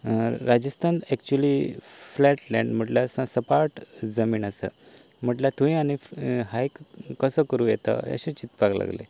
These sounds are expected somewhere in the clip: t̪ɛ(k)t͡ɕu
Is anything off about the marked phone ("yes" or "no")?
no